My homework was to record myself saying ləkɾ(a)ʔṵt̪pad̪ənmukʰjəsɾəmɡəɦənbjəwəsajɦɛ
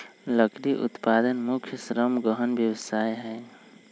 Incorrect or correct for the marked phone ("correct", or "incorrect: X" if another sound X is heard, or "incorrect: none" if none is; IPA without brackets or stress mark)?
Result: incorrect: i